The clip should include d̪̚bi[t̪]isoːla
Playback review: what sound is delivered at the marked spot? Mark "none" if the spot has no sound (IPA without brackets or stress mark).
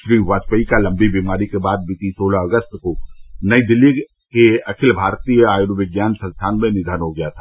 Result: t̪